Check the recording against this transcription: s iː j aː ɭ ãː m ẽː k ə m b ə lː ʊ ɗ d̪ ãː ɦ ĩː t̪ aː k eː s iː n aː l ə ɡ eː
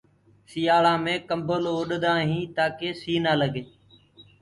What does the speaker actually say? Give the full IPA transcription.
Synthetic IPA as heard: s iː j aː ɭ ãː m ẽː k ə m b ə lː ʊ ɗ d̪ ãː ɦ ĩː t̪ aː k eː s iː n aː l ə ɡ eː